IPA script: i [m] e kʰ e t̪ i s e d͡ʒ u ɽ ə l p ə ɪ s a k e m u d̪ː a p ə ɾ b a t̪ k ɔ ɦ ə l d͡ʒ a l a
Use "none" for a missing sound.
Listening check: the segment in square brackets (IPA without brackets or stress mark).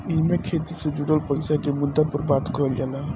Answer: m